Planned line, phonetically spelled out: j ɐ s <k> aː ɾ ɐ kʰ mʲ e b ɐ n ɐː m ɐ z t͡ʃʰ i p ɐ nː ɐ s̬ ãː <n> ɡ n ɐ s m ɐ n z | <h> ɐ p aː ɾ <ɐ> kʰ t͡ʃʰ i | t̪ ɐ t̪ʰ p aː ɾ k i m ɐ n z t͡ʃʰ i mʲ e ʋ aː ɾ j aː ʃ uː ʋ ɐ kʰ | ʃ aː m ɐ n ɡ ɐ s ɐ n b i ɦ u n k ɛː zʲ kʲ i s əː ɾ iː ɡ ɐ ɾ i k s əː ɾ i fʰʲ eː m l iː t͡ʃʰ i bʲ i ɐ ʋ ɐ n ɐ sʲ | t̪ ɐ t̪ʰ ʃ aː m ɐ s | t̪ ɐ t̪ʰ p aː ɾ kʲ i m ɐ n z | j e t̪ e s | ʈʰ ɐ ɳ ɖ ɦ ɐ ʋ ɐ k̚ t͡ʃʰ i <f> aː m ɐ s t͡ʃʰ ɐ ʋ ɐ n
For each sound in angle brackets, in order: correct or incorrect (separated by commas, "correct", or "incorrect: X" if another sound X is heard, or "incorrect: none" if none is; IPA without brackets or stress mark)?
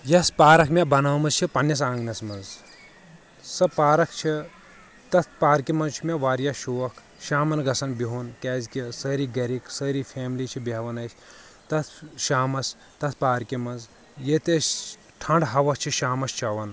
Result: incorrect: p, incorrect: ŋ, incorrect: s, correct, incorrect: ʃ